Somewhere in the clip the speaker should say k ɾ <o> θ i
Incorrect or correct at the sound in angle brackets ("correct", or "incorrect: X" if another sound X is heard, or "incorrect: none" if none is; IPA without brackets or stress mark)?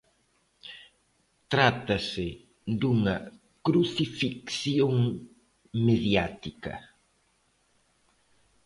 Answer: incorrect: u